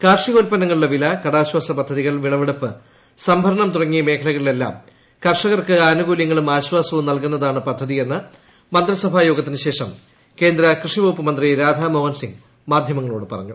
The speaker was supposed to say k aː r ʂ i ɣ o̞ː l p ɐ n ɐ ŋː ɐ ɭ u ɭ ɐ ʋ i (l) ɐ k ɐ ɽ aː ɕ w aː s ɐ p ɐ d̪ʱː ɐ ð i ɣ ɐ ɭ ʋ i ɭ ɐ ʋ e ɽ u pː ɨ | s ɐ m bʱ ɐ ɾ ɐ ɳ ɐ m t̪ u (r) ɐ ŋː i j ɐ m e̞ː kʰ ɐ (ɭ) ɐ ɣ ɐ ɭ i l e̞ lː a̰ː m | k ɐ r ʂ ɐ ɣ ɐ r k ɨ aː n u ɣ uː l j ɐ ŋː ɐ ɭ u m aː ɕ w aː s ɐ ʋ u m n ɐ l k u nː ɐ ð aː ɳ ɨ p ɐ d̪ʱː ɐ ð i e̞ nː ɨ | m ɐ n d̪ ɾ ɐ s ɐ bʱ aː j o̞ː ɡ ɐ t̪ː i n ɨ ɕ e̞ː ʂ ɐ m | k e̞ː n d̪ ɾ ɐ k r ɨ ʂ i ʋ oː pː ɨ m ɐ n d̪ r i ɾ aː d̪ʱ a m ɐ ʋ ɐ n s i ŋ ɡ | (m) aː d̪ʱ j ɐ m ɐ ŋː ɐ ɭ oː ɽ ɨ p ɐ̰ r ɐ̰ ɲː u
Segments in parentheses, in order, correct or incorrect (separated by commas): correct, correct, incorrect, correct